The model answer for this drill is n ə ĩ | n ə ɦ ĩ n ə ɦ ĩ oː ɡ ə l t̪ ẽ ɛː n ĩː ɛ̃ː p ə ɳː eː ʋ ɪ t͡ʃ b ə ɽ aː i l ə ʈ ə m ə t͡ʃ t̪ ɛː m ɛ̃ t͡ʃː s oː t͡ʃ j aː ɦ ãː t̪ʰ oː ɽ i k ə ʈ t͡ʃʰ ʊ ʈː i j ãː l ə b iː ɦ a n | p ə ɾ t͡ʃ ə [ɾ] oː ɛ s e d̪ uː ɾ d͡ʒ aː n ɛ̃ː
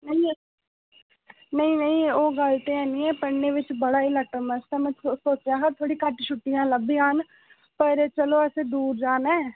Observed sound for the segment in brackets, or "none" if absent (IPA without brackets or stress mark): l